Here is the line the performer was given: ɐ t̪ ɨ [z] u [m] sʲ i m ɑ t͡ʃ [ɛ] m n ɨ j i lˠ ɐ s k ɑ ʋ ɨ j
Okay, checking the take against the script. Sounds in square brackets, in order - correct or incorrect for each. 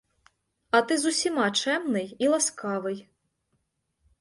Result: correct, incorrect, correct

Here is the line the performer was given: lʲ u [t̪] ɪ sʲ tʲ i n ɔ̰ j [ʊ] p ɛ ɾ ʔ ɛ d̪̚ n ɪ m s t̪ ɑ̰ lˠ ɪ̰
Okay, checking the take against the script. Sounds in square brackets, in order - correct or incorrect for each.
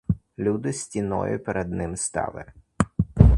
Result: incorrect, correct

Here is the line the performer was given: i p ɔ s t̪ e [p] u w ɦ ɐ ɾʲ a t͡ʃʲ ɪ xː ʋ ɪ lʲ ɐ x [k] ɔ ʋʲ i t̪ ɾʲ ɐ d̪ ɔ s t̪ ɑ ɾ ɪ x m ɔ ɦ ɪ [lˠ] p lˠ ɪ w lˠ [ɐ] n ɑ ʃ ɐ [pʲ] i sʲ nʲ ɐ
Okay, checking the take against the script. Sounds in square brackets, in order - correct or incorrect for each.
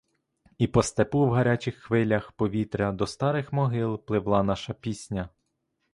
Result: correct, incorrect, correct, incorrect, correct

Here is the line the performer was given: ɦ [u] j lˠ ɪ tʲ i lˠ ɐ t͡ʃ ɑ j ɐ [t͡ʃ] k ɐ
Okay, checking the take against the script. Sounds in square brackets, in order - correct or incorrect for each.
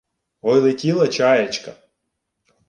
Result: incorrect, correct

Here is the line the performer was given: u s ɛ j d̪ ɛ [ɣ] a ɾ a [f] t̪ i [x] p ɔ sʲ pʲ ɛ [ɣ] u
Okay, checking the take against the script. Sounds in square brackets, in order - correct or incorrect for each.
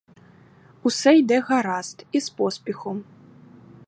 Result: correct, incorrect, incorrect, incorrect

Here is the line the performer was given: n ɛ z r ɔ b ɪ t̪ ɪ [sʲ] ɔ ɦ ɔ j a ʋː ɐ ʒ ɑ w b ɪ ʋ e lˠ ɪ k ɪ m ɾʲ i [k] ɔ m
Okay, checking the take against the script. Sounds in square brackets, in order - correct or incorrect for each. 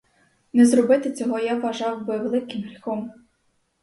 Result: incorrect, incorrect

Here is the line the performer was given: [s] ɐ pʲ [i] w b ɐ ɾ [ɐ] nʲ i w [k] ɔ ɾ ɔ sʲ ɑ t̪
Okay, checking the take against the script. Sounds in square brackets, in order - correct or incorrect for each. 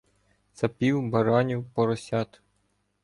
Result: correct, correct, incorrect, incorrect

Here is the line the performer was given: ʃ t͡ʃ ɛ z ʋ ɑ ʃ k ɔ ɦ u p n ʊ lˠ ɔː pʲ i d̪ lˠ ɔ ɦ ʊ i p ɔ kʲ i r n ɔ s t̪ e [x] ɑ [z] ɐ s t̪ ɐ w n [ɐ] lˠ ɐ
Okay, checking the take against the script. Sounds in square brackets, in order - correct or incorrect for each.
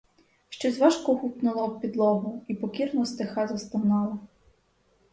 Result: correct, correct, incorrect

